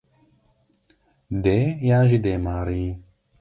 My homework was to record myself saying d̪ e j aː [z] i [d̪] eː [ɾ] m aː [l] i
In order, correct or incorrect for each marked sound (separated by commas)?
incorrect, correct, incorrect, incorrect